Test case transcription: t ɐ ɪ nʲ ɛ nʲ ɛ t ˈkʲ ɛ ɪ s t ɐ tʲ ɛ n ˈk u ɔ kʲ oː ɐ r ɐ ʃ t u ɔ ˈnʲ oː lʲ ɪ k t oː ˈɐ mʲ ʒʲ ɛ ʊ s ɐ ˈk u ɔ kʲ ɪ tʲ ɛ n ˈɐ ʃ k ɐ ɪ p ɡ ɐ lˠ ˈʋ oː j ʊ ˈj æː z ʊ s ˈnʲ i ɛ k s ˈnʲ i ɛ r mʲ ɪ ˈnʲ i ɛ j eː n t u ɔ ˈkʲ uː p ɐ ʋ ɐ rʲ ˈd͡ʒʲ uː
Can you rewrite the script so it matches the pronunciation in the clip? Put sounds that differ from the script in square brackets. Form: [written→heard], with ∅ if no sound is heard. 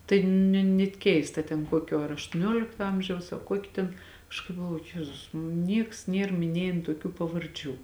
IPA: t ɐ ɪ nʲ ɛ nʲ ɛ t ˈkʲ ɛ ɪ s t ɐ tʲ ɛ n ˈk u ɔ kʲ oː ɐ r ɐ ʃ t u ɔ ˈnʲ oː lʲ ɪ k t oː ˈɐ mʲ ʒʲ ɛ ʊ s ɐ ˈk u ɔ kʲ ɪ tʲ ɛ n ˈɐ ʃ k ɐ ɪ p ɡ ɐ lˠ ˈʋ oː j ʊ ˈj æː z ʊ s ˈnʲ i ɛ k s ˈnʲ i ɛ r mʲ ɪ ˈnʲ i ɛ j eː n t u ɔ ˈkʲ uː p ɐ ʋ ɐ rʲ ˈd͡ʒʲ uː